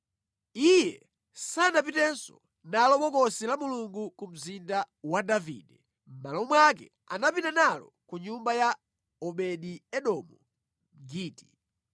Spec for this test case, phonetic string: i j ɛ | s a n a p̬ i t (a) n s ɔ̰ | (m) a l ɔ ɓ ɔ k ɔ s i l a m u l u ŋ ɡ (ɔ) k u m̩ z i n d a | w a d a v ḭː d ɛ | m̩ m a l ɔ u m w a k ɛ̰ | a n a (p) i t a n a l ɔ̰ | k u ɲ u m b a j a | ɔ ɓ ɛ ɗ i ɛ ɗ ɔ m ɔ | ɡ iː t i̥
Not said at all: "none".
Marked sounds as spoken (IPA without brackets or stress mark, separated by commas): ɛ, n, u, p